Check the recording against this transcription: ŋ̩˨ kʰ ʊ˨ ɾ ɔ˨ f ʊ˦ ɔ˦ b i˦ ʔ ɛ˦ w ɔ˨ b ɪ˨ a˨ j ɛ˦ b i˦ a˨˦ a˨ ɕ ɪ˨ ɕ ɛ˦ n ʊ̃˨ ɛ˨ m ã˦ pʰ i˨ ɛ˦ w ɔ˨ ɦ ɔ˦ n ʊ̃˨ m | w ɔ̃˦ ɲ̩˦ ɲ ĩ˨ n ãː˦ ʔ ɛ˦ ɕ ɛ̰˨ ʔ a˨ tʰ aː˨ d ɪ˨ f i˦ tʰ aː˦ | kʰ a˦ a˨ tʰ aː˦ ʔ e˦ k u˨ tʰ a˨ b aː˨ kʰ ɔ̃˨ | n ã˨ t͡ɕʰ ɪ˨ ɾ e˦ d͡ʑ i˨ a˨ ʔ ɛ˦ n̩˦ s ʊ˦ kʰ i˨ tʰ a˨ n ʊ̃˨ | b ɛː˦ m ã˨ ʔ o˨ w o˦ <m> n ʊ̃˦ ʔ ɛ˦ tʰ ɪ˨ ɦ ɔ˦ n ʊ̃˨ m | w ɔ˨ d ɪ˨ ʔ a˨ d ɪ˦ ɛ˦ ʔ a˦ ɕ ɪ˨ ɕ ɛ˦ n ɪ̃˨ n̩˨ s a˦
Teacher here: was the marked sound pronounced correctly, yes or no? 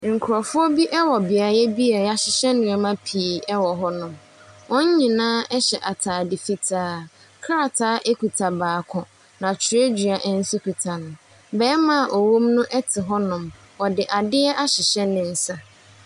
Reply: yes